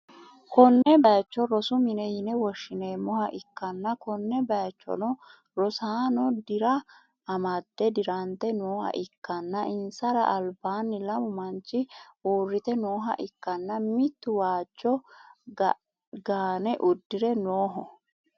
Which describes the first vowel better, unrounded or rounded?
rounded